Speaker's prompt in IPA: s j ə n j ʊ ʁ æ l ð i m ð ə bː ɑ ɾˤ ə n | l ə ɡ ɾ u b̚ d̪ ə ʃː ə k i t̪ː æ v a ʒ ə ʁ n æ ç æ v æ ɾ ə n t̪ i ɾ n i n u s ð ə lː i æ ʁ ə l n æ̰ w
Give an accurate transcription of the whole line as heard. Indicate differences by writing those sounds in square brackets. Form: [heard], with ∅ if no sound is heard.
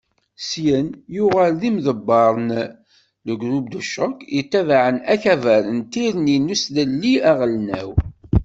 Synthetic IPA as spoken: s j ə n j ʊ ʁ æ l ð i m ð ə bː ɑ ɾˤ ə n | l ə ɡ ɾ u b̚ d̪ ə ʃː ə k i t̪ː æ v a [ʕ] ə [∅] n æ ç æ v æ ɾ ə n t̪ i ɾ n i n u s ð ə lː i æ ʁ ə l n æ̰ w